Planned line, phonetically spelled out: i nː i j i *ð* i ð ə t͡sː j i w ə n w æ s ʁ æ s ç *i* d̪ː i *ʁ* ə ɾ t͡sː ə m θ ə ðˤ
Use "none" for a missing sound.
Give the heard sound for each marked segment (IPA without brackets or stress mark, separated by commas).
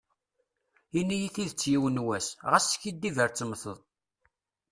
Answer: θ, i, v